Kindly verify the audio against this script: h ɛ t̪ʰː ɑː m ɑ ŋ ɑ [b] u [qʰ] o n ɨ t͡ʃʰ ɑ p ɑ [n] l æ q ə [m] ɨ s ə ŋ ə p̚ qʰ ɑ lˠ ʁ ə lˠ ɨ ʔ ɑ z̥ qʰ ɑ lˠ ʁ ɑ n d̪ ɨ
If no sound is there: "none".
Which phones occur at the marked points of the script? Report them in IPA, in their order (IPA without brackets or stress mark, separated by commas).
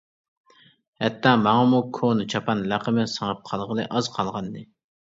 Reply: m, kʰ, n, m